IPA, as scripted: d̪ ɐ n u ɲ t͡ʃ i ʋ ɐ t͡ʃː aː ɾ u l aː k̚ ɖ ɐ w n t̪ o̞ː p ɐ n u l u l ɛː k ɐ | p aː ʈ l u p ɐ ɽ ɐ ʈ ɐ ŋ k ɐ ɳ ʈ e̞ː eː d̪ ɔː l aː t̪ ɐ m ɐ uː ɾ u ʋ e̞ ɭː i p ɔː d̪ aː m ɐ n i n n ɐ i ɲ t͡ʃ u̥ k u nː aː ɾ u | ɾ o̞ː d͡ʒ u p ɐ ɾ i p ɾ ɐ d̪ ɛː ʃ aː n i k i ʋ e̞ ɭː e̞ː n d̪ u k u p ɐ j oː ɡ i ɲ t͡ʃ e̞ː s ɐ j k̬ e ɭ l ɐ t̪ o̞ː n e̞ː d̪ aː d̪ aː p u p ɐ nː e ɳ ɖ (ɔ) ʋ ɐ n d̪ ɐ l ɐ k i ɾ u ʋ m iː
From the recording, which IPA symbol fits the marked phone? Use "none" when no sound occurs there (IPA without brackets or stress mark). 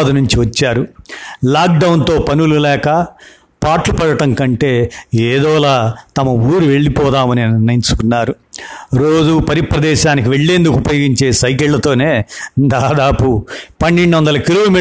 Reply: u